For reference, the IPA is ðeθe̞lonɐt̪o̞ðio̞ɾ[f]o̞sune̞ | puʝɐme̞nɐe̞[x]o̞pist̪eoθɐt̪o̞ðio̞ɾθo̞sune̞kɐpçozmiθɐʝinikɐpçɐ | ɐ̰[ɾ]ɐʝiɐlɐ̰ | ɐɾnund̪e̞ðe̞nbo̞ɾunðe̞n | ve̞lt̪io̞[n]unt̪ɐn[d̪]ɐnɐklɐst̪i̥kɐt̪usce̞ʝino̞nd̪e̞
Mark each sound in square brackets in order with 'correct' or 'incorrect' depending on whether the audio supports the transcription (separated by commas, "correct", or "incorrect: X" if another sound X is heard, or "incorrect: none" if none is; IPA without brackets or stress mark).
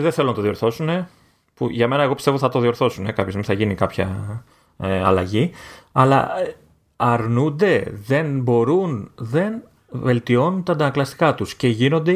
incorrect: θ, incorrect: ɣ, incorrect: l, correct, correct